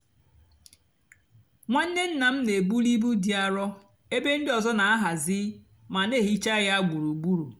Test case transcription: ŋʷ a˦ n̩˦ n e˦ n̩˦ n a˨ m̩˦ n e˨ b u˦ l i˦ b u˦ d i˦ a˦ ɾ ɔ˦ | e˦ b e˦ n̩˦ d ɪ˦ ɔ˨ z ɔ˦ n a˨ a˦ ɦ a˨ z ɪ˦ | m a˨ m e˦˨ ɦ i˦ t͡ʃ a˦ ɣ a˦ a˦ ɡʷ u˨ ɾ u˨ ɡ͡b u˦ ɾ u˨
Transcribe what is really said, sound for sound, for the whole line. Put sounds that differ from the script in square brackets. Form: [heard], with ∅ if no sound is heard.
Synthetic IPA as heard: ŋʷ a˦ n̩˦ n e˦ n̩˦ n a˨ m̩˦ n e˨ b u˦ l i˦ b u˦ d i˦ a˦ ɾ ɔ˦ | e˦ b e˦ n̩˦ d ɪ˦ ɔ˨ z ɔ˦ n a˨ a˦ ɦ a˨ z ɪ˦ | m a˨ [n] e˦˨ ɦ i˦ t͡ʃ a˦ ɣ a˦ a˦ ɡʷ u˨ ɾ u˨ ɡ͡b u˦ ɾ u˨